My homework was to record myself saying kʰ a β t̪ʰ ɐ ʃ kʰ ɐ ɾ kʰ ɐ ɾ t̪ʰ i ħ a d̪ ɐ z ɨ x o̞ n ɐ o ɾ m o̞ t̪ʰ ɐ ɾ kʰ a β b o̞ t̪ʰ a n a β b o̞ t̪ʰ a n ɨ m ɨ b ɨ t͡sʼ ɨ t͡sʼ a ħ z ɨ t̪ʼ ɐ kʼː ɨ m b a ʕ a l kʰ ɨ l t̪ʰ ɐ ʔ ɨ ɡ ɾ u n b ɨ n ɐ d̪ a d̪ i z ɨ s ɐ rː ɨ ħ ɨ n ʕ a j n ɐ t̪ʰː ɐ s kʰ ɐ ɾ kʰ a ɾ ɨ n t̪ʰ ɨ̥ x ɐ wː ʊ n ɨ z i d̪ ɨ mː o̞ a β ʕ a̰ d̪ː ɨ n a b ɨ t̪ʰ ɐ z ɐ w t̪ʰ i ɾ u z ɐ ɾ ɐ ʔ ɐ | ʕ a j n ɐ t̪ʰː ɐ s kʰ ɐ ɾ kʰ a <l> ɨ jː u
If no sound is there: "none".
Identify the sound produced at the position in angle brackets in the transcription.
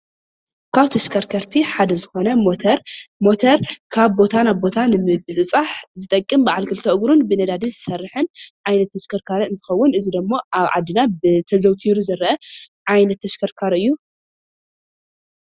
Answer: ɾ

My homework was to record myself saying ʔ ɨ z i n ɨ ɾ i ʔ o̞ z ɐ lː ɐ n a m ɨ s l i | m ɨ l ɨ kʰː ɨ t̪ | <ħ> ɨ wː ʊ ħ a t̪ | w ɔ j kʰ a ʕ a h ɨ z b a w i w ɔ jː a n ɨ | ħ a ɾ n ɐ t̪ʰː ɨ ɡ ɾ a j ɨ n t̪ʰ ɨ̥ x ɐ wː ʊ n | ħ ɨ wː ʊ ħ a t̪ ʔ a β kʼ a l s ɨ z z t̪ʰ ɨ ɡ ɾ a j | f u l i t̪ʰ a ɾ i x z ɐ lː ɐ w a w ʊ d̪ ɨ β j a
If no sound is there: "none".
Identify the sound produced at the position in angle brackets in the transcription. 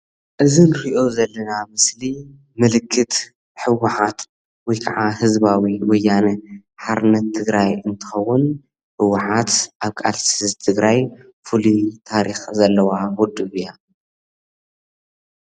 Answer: ħ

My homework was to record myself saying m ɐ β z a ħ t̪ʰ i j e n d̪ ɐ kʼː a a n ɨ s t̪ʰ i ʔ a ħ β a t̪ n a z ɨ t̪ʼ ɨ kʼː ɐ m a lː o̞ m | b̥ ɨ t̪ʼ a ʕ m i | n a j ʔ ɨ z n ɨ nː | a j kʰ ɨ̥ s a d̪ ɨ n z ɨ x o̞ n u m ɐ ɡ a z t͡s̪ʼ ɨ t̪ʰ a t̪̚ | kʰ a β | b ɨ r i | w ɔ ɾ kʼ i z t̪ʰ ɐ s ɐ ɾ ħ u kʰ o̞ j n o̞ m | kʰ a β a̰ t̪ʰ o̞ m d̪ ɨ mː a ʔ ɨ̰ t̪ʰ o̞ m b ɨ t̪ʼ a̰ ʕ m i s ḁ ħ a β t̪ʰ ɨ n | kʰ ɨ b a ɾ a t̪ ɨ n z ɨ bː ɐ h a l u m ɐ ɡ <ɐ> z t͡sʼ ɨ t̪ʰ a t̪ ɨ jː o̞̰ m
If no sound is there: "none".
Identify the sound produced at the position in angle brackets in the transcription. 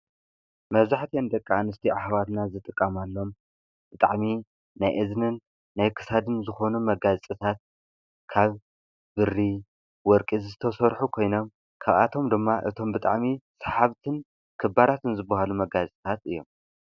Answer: a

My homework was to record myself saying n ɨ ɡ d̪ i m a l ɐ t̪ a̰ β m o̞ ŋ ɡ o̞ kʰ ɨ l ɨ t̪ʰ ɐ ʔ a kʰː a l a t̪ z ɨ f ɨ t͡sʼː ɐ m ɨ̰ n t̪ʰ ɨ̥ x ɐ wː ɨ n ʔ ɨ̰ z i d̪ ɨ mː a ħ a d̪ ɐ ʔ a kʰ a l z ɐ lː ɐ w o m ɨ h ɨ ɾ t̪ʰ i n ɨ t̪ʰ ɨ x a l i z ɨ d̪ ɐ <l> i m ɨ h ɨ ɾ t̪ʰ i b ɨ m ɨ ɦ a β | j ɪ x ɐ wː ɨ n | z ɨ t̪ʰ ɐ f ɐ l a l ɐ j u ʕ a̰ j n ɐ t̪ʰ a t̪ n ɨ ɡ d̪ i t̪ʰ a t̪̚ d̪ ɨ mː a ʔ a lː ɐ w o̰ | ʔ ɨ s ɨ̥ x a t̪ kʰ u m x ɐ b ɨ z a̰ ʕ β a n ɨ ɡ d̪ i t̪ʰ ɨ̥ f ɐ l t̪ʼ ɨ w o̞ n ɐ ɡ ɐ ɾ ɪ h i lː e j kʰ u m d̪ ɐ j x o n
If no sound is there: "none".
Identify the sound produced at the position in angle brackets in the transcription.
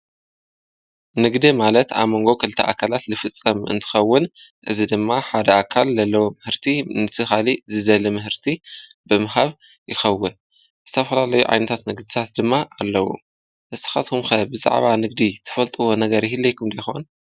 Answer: l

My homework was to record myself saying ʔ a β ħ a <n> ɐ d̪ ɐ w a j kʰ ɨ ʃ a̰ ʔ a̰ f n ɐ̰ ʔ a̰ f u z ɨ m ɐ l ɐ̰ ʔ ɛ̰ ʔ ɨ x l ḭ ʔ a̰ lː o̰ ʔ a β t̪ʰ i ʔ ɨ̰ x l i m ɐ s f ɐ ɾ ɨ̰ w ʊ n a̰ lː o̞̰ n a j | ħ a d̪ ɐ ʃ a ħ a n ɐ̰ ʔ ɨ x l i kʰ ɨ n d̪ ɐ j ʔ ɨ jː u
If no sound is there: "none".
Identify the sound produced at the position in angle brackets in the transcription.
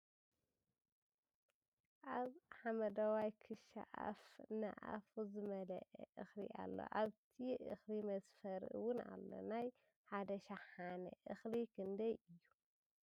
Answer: m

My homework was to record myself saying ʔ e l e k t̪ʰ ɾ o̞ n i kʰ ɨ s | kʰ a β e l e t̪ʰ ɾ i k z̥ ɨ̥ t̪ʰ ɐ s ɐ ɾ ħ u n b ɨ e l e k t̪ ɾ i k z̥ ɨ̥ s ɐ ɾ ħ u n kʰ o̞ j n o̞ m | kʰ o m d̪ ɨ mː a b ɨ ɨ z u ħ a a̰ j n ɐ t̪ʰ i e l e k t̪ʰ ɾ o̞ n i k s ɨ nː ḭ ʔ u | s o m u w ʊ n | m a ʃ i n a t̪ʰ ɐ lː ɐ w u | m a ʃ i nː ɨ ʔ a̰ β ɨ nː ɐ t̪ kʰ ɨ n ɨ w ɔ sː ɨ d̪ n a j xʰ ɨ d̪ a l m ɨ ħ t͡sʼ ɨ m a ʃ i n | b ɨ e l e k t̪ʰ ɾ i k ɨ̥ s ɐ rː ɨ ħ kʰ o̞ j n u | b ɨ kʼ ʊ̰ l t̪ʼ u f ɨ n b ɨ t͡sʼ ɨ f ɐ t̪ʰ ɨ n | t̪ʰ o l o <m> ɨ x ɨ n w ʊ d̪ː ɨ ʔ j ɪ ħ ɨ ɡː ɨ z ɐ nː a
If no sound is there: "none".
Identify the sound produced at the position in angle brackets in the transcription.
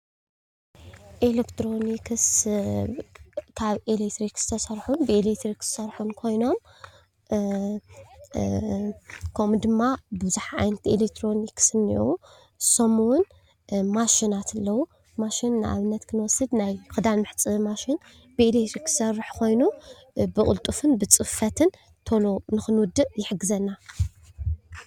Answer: n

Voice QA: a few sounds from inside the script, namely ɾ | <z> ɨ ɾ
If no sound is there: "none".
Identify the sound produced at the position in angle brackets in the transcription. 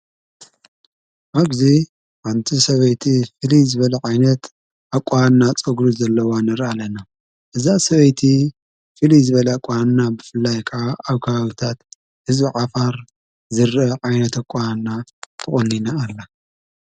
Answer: z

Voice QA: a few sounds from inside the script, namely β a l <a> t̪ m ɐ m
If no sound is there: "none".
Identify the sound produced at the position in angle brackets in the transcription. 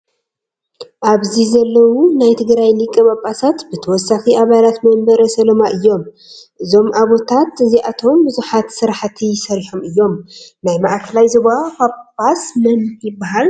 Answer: a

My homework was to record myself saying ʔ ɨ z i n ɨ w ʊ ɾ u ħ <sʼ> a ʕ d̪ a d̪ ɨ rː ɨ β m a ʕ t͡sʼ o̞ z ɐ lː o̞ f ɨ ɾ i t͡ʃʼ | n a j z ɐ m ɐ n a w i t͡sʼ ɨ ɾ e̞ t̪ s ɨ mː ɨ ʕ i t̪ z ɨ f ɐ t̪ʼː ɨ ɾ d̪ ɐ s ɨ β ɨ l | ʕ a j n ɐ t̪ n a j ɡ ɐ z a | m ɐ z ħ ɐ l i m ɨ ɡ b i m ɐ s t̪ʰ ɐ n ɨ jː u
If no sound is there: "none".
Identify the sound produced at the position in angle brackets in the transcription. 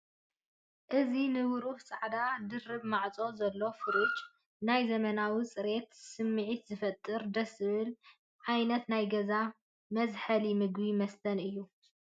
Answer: sʼ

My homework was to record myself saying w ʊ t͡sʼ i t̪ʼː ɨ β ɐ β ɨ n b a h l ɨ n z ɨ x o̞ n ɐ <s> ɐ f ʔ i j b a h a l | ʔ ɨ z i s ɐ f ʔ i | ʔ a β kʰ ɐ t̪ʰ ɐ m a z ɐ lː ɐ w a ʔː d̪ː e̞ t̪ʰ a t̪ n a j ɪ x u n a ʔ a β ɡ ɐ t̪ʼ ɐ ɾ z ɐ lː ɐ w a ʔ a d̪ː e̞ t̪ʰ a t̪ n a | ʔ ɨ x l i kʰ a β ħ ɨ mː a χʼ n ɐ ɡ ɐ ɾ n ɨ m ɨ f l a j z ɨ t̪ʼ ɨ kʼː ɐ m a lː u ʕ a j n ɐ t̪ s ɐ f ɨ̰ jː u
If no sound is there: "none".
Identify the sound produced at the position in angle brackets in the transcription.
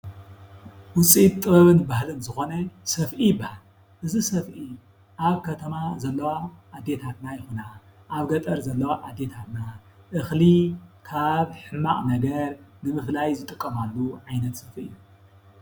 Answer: s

